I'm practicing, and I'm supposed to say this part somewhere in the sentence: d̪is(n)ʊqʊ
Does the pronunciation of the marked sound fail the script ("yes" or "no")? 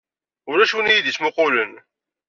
yes